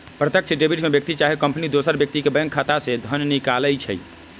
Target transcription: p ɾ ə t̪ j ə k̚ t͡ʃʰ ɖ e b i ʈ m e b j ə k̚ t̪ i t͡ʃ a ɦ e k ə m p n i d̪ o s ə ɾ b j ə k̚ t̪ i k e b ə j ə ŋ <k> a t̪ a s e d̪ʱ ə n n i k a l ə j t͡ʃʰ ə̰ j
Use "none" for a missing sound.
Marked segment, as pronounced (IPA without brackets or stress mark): kʰ